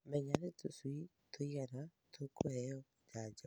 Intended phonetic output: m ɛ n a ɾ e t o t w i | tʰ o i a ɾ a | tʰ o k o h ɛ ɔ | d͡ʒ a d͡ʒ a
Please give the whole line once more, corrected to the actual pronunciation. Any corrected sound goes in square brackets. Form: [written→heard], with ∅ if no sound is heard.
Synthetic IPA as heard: m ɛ [n→ɲ] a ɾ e t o [t→s] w i | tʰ o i a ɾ a | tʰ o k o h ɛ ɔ | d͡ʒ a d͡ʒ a